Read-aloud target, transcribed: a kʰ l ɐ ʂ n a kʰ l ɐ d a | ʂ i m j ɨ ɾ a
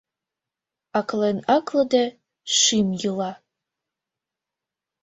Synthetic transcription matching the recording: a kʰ l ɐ n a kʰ l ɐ d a | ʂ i m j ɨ l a